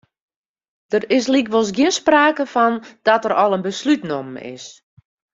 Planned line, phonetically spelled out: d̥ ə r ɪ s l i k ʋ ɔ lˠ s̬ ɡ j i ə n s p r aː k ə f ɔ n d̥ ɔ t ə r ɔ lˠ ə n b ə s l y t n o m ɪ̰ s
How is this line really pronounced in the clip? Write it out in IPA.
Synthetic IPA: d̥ ə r ɪ s l i k ʋ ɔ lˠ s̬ ɡ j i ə n s p r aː k ə f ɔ n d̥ ɔ t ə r ɔ lˠ ə n b ə s l y t n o m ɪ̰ s